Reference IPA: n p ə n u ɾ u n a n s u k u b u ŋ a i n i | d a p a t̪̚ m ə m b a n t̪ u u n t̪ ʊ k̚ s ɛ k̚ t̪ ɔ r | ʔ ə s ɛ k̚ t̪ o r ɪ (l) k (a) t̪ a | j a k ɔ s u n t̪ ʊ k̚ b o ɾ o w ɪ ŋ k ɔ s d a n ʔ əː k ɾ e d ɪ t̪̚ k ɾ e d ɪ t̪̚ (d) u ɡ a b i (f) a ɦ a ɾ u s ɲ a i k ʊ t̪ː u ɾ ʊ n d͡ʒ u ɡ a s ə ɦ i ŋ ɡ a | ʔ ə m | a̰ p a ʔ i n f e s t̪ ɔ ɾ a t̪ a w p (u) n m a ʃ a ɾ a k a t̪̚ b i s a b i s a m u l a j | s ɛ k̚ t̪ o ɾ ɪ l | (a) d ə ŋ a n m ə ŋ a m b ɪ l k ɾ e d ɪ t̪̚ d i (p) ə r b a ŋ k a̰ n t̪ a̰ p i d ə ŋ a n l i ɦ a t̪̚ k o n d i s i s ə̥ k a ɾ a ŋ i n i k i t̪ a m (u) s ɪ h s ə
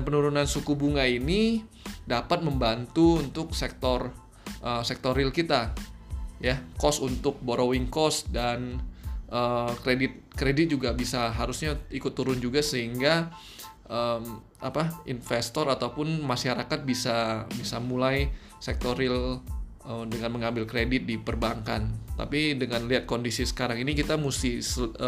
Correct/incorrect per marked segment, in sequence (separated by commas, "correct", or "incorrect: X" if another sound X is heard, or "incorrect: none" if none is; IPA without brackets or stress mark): correct, incorrect: i, incorrect: d͡ʒ, incorrect: s, incorrect: ʊ, incorrect: ə, correct, correct